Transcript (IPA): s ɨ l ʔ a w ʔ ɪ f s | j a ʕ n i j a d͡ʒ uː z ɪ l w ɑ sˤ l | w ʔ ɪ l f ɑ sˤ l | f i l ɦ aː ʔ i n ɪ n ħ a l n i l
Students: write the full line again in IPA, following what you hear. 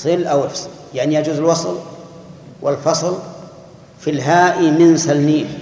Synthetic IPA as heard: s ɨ l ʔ a w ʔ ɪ f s | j a ʕ n i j a d͡ʒ uː z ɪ l w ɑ sˤ l | w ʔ ɪ l f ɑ sˤ l | f i l ɦ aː ʔ i m ɪ n s a l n iː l